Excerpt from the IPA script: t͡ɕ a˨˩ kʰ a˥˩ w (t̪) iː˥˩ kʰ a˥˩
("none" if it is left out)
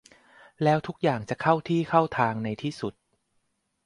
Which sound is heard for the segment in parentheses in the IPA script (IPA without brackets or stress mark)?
t̪ʰ